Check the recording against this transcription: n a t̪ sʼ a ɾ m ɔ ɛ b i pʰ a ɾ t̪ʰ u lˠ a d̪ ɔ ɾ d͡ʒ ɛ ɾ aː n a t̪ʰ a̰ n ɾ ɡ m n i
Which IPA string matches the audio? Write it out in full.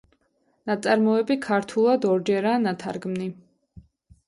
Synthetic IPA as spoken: n a t̪ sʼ a ɾ m ɔ ɛ b i kʰ a ɾ t̪ʰ u lˠ a d̪ ɔ ɾ d͡ʒ ɛ ɾ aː n a t̪ʰ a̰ ɾ ɡ m n i